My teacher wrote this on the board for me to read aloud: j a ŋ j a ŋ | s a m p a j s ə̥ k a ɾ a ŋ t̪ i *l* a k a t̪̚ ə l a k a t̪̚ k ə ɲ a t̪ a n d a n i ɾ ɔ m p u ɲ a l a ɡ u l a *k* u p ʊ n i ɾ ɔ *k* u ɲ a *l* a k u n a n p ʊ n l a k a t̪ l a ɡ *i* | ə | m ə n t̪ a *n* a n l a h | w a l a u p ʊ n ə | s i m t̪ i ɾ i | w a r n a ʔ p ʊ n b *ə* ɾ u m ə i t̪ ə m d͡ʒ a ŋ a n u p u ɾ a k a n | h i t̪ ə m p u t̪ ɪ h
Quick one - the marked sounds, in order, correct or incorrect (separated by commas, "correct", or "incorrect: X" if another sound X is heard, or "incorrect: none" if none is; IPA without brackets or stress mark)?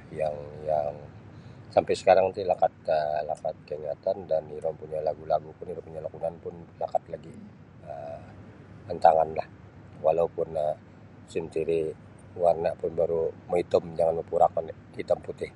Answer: correct, incorrect: ɡ, incorrect: p, correct, correct, incorrect: ŋ, incorrect: a